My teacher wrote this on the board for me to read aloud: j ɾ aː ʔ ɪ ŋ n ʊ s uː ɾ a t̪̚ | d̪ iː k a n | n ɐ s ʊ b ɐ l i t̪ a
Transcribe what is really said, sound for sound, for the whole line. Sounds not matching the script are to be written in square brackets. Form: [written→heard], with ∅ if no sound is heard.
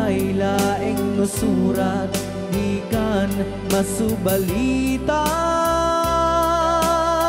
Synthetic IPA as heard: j [ɾ→l] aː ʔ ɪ ŋ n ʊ s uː ɾ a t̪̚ | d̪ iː k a n | [n→m] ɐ s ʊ b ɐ l i t̪ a